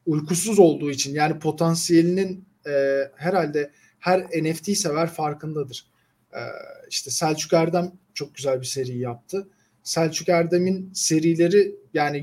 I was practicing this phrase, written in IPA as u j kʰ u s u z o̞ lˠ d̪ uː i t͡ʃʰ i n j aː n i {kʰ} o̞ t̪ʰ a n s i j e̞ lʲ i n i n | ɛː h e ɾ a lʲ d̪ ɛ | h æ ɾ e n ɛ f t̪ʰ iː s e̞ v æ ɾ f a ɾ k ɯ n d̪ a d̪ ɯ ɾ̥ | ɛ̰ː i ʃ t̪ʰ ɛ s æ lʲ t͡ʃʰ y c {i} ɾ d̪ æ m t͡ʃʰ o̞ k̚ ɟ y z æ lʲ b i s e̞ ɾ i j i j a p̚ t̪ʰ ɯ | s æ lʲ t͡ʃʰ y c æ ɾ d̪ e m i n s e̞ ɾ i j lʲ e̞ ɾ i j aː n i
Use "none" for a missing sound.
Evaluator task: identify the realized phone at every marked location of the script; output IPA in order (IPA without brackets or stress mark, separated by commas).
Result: pʰ, æ